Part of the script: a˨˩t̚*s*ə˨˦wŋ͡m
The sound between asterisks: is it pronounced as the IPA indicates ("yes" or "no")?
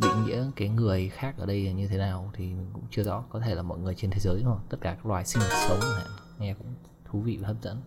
yes